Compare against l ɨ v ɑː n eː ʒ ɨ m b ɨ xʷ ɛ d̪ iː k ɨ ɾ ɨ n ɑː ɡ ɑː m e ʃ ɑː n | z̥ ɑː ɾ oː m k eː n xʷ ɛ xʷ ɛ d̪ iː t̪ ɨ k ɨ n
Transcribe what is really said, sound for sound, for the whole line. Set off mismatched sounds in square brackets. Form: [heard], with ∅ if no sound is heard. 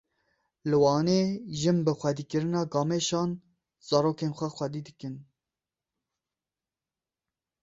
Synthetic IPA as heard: l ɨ [w] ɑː n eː ʒ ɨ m b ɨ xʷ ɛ d̪ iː k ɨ ɾ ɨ n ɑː ɡ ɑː m e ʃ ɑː n | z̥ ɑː ɾ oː [∅] k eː n xʷ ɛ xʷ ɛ d̪ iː [d̪] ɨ k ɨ n